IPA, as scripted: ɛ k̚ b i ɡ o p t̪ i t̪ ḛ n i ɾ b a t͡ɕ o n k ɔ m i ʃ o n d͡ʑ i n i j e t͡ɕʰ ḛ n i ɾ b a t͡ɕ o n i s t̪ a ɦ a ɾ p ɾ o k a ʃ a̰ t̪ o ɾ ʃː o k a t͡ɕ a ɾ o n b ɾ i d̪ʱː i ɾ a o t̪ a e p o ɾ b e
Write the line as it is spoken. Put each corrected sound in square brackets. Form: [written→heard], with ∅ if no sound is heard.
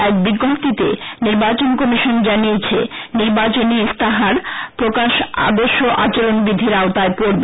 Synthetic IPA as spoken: ɛ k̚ b i ɡ o p t̪ i t̪ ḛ n i ɾ b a t͡ɕ o n k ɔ m i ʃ o n d͡ʑ [i→a] n i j e t͡ɕʰ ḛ n i ɾ b a t͡ɕ o n i s t̪ a ɦ a ɾ p ɾ o k a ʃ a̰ [t̪→d̪] o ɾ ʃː o [k→ʔ] a t͡ɕ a ɾ o n b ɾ i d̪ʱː i ɾ a o t̪ a e p o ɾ b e